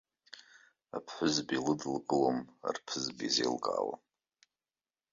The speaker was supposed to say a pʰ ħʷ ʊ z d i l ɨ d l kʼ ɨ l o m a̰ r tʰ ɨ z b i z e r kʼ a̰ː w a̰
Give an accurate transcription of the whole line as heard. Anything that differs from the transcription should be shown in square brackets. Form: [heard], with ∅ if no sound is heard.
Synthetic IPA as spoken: a pʰ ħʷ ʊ z [b] i l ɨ d l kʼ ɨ l o m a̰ r [pʰ] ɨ z b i z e [l] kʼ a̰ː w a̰